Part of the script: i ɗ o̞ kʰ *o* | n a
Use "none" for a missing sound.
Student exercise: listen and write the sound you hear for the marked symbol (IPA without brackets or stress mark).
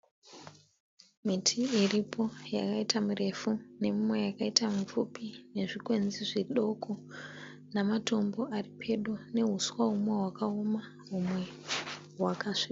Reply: o